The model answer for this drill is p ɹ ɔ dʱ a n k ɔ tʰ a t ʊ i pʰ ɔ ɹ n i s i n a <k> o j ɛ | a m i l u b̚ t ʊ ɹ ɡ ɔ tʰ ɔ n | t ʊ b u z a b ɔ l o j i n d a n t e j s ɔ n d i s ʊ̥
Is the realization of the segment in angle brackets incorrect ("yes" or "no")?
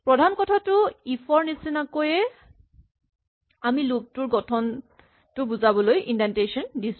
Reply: no